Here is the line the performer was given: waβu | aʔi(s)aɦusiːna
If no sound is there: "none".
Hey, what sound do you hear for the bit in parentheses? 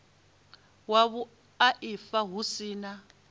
f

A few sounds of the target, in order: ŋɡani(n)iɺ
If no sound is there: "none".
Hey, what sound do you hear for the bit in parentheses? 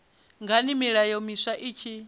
m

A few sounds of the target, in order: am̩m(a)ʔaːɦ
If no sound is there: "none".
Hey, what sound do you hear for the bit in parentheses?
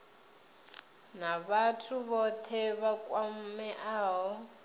ɛ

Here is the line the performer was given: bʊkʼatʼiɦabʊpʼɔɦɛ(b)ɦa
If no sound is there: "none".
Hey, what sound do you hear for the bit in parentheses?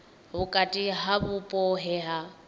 none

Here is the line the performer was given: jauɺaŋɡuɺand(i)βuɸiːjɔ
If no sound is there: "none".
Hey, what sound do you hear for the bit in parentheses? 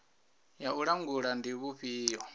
i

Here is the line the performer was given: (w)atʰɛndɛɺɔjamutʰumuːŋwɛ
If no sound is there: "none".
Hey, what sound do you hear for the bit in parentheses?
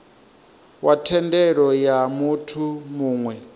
w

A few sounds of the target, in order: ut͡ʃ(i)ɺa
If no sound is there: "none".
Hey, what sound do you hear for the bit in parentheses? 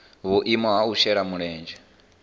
ɛ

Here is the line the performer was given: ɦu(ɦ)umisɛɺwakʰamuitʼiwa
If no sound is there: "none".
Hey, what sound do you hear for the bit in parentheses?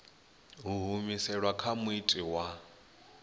ɦ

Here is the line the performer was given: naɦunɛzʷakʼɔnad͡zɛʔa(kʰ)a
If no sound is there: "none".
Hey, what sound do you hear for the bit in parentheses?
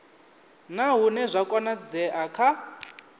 kʰ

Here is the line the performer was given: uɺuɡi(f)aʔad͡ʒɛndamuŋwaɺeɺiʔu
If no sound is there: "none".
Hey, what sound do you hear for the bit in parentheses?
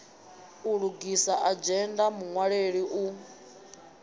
s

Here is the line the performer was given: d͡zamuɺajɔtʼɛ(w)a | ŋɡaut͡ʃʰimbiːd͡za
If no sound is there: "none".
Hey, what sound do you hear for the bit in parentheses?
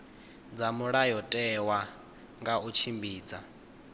w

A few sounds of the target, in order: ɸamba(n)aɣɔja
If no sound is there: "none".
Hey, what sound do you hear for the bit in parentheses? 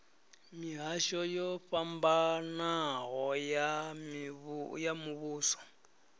n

